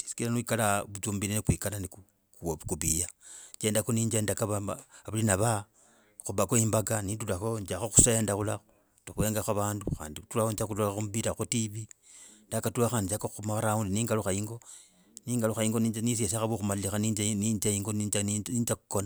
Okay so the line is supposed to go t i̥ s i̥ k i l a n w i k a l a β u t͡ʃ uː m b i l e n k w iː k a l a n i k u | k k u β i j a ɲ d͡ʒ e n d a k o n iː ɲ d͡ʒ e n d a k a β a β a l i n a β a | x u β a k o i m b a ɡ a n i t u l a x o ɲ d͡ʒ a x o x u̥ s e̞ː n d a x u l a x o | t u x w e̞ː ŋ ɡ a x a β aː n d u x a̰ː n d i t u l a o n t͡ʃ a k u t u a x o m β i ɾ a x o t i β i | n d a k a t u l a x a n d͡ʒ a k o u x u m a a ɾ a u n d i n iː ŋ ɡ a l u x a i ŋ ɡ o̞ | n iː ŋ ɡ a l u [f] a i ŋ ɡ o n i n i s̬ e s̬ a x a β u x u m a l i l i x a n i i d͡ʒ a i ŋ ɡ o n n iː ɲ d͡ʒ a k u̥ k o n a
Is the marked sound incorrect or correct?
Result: incorrect